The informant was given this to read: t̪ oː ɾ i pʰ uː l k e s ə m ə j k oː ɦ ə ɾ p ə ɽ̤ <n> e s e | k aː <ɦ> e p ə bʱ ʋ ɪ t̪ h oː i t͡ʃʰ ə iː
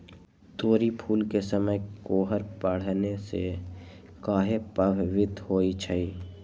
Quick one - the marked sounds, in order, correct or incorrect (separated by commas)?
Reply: correct, correct